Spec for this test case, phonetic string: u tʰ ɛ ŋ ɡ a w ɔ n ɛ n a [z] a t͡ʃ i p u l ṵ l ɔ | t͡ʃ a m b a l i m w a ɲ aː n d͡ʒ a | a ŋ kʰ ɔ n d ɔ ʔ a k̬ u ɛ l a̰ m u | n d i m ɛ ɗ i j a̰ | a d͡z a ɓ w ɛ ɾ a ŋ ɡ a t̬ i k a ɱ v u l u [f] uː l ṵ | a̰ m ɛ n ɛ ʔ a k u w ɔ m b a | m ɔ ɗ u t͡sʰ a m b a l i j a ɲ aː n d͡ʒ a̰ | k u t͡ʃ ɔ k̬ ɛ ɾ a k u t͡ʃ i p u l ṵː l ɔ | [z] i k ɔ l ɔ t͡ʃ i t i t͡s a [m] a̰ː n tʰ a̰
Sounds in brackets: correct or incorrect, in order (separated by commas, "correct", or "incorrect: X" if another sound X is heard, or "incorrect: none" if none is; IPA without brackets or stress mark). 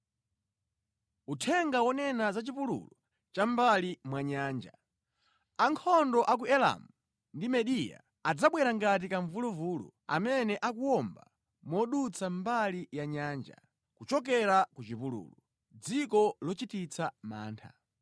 correct, incorrect: v, incorrect: d͡z, correct